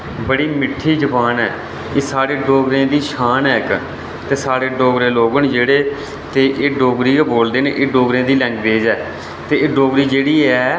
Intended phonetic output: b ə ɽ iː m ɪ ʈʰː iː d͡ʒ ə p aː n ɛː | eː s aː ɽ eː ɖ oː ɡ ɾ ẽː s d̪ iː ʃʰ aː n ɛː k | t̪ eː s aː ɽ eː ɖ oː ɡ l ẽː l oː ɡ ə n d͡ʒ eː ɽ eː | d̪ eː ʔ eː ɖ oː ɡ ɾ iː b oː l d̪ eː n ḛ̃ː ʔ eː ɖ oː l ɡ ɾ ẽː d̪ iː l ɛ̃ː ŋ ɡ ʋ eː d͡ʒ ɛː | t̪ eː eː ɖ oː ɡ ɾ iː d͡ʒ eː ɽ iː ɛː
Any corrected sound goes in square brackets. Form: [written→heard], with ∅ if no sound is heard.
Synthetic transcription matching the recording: b ə ɽ iː m ɪ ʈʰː iː d͡ʒ ə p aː n ɛː | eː s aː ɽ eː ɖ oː ɡ ɾ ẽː [s→∅] d̪ iː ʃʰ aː n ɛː k | t̪ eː s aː ɽ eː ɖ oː ɡ [l→ɾ] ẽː l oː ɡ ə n d͡ʒ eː ɽ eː | [d̪→t̪] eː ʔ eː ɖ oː ɡ ɾ iː b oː l d̪ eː n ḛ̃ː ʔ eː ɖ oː [l→∅] ɡ ɾ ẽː d̪ iː l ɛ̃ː ŋ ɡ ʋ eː d͡ʒ ɛː | t̪ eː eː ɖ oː ɡ ɾ iː d͡ʒ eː ɽ iː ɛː